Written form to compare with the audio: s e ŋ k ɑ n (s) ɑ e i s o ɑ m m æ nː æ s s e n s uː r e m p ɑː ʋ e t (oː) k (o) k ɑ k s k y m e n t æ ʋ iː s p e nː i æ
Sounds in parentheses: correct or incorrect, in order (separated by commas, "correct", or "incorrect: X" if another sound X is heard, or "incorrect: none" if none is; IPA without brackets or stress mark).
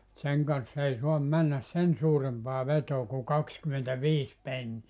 incorrect: sː, correct, incorrect: u